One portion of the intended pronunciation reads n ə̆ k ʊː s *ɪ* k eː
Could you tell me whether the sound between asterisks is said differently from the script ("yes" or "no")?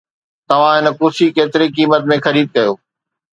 yes